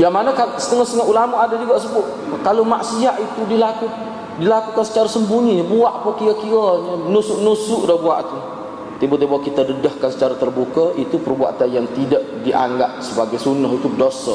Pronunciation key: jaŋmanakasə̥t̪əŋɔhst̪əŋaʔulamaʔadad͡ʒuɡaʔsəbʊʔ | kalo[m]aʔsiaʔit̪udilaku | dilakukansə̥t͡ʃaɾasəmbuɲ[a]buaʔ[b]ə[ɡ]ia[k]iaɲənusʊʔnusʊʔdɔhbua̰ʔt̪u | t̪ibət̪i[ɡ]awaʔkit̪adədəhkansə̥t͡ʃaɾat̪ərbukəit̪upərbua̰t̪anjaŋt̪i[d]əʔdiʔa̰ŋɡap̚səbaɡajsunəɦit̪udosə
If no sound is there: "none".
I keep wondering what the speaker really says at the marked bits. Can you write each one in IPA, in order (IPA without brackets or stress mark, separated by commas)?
m, i, p, k, k, b, d